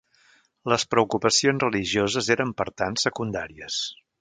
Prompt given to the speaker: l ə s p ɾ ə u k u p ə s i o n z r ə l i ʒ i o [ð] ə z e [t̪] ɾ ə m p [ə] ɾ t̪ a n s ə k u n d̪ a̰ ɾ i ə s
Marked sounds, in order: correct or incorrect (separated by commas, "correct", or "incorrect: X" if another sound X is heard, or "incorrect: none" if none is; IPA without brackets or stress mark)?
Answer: incorrect: z, incorrect: none, correct